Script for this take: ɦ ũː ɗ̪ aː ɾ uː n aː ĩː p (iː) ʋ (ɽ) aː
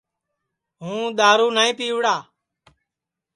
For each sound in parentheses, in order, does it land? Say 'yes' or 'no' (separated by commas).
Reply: yes, yes